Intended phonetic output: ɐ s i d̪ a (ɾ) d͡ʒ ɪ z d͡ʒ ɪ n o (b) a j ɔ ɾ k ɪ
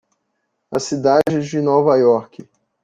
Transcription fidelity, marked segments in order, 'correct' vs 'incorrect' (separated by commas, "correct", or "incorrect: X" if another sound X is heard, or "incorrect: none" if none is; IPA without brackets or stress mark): incorrect: none, incorrect: v